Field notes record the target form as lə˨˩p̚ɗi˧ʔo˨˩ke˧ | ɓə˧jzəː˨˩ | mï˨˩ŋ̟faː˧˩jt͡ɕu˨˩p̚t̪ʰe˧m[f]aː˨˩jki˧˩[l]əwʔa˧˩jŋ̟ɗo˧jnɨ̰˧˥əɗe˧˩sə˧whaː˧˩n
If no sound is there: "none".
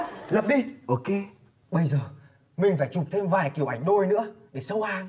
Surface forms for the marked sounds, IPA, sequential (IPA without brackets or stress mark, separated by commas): v, none